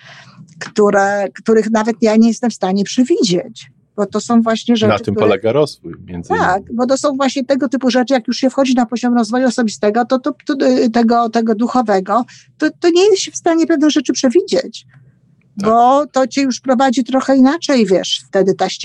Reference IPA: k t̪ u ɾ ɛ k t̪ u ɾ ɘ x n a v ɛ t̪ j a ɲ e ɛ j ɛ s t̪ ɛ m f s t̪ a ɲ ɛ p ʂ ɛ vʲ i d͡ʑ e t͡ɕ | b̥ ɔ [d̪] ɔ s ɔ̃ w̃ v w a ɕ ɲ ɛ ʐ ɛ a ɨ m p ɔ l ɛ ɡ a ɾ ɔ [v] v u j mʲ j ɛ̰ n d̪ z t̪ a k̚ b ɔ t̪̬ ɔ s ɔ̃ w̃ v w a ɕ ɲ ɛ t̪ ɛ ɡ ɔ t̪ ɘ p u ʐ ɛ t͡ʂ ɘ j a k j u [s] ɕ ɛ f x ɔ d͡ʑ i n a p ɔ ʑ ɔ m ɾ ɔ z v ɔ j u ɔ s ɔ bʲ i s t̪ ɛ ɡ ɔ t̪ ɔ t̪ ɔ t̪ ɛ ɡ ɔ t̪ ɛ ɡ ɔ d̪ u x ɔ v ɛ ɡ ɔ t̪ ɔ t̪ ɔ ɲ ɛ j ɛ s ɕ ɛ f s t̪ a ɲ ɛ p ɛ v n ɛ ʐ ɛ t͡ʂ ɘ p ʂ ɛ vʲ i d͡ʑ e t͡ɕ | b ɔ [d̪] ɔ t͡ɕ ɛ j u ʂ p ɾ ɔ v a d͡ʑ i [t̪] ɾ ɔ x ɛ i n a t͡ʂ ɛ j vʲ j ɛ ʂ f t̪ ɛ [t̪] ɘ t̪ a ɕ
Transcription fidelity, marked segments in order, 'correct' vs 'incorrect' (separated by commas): incorrect, incorrect, incorrect, incorrect, correct, incorrect